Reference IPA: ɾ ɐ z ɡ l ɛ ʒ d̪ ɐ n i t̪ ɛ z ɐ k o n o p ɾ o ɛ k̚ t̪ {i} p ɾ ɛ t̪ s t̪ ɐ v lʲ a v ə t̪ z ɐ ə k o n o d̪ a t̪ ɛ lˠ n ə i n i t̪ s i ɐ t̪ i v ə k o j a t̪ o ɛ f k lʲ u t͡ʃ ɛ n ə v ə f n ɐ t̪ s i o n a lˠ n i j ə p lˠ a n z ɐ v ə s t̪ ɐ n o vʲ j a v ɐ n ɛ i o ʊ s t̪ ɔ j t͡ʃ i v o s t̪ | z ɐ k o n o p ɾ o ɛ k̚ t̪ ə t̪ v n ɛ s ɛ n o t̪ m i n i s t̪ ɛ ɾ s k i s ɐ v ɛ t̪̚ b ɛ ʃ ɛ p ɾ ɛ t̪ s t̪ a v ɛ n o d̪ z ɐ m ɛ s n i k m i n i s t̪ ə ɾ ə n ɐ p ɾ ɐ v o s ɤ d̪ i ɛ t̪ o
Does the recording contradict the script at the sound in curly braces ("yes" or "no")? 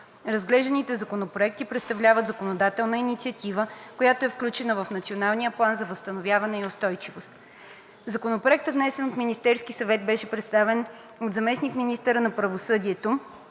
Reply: no